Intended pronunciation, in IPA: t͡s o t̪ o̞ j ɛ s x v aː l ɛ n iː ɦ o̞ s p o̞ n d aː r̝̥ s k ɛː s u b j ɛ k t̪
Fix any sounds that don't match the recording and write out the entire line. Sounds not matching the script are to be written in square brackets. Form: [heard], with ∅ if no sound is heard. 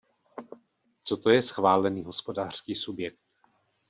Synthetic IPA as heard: t͡s o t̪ o̞ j ɛ s x v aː l ɛ n iː ɦ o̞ s p o̞ [∅] d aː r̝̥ s k [iː] s u b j ɛ k t̪